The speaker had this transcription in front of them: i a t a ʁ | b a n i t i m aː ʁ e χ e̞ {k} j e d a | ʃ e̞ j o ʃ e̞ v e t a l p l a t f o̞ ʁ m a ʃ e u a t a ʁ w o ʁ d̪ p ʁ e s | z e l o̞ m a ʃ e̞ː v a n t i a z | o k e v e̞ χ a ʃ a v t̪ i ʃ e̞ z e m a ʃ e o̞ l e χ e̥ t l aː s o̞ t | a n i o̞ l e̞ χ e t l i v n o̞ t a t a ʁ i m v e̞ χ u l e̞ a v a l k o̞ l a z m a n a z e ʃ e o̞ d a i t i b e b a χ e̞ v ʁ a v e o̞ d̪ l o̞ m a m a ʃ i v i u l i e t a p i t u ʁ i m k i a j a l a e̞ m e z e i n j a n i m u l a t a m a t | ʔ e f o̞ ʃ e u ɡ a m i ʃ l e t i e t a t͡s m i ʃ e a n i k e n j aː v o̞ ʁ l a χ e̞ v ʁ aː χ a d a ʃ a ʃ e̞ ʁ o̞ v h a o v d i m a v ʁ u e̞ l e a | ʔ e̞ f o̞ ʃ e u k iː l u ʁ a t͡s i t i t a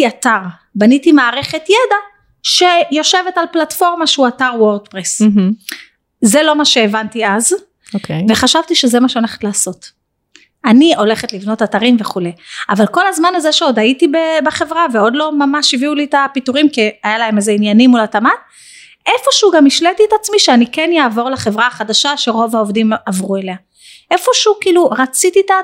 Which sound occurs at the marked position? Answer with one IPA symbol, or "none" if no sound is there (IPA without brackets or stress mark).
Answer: t